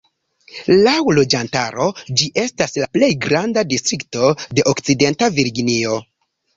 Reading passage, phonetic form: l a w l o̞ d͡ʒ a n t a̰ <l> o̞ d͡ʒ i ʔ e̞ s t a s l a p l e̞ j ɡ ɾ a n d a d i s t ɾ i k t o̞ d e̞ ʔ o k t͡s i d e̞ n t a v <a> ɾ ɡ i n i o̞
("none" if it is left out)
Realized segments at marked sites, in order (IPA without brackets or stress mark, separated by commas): ɾ, i